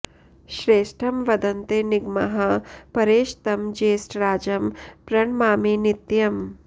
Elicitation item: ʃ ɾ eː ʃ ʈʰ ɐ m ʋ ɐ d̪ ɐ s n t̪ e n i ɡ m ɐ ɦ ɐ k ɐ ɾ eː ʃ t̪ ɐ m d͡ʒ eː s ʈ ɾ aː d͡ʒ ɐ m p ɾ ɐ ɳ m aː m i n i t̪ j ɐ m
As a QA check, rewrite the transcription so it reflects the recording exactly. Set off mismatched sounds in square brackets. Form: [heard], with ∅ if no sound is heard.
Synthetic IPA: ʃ ɾ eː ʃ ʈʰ ɐ m ʋ ɐ d̪ ɐ [∅] n t̪ e n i ɡ m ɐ ɦ ɐ [p] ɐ ɾ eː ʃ t̪ ɐ m d͡ʒ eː s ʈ ɾ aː d͡ʒ ɐ m p ɾ ɐ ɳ m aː m i n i t̪ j ɐ m